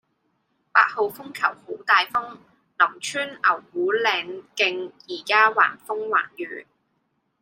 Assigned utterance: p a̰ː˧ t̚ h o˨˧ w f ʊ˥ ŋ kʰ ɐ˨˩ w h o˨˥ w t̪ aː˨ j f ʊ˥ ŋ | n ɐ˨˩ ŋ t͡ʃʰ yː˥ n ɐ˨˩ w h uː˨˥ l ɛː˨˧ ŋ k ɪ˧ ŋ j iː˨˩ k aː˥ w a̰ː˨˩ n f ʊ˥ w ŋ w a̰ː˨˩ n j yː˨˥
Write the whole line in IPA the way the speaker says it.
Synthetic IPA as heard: p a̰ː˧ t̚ h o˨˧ w f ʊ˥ ŋ kʰ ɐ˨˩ w h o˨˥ w t̪ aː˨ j f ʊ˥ ŋ | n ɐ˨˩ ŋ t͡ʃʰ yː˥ n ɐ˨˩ w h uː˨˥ l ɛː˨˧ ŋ k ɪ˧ ŋ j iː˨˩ k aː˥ w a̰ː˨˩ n f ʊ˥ ŋ w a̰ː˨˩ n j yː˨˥